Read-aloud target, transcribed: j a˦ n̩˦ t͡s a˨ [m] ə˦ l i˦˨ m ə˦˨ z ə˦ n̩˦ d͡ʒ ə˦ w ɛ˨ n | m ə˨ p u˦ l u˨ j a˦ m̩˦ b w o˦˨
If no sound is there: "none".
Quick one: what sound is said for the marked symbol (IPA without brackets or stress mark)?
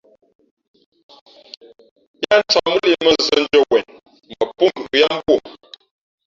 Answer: m